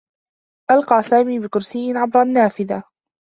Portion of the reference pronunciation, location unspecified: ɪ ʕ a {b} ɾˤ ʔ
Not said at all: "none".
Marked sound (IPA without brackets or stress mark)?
b